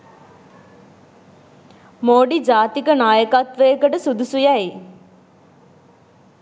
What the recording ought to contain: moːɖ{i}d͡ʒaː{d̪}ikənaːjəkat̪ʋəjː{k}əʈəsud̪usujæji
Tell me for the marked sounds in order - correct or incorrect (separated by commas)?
correct, incorrect, correct